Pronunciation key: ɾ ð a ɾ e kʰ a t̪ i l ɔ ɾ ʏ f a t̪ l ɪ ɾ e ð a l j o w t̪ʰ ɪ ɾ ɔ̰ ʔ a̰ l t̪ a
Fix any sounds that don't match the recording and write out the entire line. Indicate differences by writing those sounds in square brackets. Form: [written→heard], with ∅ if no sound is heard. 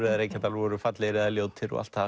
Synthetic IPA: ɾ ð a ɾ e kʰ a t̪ [i→a] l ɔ ɾ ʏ f a t̪ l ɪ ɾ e ð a l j o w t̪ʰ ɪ ɾ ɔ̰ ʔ a̰ l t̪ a